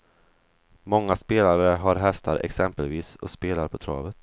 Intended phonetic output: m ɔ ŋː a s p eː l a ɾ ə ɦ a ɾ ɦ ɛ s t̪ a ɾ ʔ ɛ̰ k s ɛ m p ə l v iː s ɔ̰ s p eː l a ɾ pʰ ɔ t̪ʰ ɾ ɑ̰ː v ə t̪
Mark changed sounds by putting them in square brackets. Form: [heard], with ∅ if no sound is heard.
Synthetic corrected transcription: m ɔ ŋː a s p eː l a ɾ ə ɦ a ɾ ɦ ɛ s t̪ a ɾ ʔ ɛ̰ k s ɛ m p ə l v iː s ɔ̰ s p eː l a ɾ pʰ ɔ t̪ʰ ɾ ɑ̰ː v ə t̪